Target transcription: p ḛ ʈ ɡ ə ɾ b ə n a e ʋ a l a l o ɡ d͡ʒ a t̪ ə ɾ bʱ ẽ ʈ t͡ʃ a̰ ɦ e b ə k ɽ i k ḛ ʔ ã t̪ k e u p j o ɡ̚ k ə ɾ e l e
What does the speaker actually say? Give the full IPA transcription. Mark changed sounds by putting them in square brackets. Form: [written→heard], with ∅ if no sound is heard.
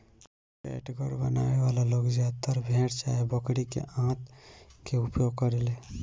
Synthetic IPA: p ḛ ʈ ɡ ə ɾ b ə n a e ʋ a l a l o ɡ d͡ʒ a t̪ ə ɾ bʱ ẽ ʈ t͡ʃ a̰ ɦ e b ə k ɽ i k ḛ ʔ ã t̪ k e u p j o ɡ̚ k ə ɾ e l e